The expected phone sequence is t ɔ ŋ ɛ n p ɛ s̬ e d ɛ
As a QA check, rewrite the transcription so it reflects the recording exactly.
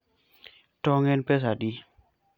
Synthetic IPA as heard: t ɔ ŋ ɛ n p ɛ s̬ a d i